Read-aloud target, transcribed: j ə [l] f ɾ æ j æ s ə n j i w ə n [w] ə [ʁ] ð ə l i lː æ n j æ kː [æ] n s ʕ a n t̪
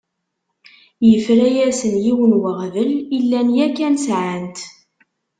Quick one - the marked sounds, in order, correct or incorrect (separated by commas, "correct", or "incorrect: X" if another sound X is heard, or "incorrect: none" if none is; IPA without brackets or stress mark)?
incorrect: none, correct, correct, correct